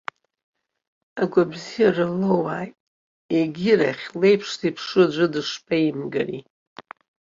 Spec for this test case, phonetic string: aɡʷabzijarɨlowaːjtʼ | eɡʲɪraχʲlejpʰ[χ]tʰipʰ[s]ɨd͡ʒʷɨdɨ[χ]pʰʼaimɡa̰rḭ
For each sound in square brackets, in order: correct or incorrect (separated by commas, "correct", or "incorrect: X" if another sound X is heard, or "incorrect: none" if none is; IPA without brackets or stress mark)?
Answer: incorrect: ʂ, incorrect: ʂ, incorrect: ʂ